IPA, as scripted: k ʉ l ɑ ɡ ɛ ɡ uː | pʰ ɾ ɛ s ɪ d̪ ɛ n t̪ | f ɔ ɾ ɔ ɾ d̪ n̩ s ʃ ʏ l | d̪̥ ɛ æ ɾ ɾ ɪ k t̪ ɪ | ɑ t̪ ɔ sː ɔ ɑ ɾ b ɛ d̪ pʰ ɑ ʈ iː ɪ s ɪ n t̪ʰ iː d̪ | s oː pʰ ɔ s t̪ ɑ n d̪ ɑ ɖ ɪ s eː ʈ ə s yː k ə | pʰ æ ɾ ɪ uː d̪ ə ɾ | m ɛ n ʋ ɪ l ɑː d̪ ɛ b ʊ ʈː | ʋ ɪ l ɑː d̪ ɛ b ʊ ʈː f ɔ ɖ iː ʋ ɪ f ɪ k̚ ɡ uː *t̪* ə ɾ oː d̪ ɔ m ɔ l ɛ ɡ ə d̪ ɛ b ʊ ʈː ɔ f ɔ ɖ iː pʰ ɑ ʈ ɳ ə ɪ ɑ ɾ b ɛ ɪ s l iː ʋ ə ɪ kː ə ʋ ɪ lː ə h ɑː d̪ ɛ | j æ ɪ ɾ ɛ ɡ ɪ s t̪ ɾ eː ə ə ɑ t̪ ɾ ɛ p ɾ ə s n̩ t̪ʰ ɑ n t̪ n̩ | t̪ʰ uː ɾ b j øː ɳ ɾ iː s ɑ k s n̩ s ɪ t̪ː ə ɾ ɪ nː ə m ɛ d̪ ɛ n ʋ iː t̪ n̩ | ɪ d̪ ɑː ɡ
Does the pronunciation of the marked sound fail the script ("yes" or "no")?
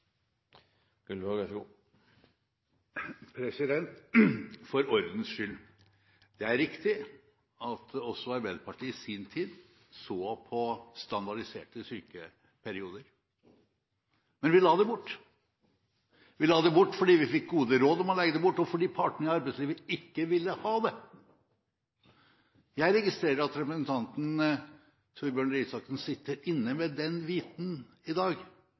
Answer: yes